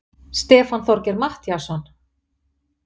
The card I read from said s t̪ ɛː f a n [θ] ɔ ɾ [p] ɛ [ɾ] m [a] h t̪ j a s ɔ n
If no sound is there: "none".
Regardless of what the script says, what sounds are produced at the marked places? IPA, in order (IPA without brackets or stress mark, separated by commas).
θ, c, ɾ, a